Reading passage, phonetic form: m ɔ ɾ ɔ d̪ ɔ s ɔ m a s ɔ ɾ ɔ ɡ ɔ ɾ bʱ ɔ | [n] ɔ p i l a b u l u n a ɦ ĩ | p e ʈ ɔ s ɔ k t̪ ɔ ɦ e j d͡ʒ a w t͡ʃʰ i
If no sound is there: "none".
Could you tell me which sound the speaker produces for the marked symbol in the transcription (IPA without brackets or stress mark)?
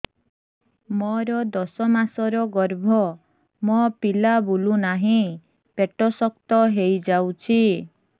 m